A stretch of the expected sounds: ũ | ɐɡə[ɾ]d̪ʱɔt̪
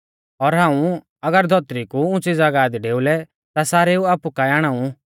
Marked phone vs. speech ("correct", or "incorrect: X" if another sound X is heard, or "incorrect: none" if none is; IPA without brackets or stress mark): correct